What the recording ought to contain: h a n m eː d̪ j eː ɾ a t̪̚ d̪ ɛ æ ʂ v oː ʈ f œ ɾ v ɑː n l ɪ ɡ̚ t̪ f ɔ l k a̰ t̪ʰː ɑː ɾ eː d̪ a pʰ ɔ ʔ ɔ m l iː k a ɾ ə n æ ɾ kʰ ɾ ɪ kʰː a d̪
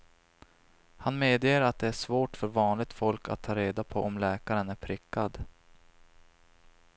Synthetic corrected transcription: h a n m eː d̪ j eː ɾ a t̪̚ d̪ ɛ æ ʂ v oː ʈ f œ ɾ v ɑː n l ɪ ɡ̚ t̪ f ɔ l k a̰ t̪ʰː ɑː ɾ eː d̪ a pʰ ɔ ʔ ɔ m l ɛː k a ɾ ə n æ ɾ pʰ ɾ ɪ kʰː a d̪